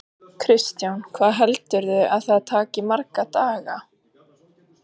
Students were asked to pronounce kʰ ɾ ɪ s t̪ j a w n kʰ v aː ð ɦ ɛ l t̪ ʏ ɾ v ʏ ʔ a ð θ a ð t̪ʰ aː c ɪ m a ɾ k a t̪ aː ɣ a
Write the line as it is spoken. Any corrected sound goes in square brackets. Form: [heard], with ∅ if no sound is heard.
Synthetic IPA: kʰ ɾ ɪ s t̪ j a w n kʰ v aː ð ɦ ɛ l t̪ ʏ ɾ [ð] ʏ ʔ a ð θ a ð t̪ʰ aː c ɪ m a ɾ k a t̪ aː ɣ a